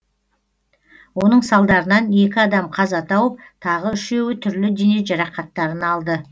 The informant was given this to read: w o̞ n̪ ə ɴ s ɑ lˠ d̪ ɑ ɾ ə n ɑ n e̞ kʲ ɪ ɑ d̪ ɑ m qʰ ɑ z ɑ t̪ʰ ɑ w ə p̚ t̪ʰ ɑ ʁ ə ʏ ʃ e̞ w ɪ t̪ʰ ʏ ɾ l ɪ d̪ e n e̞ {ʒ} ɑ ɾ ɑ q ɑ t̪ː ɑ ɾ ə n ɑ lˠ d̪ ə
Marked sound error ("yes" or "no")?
no